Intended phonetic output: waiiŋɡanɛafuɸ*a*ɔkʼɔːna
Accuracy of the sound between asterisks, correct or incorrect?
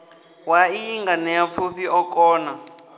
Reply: incorrect